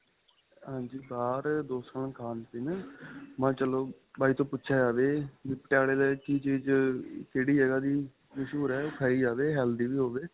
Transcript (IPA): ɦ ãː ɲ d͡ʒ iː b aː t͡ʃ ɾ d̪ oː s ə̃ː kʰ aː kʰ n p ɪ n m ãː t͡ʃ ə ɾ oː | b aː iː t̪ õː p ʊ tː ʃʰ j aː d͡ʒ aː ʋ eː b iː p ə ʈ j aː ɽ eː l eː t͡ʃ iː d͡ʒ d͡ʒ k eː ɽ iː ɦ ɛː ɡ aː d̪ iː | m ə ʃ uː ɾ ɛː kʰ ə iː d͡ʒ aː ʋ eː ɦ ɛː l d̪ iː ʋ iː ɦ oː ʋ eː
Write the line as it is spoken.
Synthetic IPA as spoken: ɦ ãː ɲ d͡ʒ iː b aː ɾ d̪ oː s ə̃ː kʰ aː n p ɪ n m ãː t͡ʃ ə l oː | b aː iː t̪ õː p ʊ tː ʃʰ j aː d͡ʒ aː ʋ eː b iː p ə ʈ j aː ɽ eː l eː t͡ʃ iː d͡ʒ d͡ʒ k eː ɽ iː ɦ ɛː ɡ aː d̪ iː | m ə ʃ uː ɾ ɛː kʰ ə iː d͡ʒ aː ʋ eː ɦ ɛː l d̪ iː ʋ iː ɦ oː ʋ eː